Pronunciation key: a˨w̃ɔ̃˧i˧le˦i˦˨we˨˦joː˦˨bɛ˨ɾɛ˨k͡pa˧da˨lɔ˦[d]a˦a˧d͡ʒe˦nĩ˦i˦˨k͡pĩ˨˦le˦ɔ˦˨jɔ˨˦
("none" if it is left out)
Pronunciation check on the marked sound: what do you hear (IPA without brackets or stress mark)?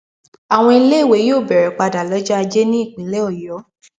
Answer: d͡ʒ